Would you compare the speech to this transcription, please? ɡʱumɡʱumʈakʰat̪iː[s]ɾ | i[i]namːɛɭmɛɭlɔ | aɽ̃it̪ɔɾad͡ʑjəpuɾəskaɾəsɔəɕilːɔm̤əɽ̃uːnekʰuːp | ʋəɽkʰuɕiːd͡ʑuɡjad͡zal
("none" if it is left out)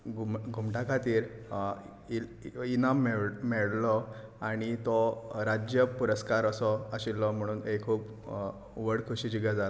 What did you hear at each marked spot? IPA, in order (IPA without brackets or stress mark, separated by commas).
none, i